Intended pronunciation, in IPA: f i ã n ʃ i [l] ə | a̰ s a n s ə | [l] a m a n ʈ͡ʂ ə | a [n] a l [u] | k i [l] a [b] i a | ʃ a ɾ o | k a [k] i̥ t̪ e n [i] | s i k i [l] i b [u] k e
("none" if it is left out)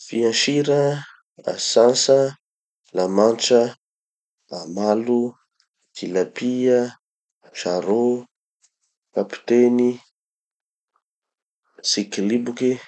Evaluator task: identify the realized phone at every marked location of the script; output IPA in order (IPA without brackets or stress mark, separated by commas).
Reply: ɾ, l, m, u, l, p, p, i, l, u